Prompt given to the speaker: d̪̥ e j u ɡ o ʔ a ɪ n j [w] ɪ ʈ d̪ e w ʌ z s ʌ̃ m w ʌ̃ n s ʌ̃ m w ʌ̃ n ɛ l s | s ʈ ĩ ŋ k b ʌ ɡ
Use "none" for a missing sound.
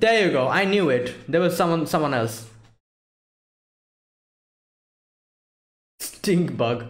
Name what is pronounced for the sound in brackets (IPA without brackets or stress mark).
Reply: u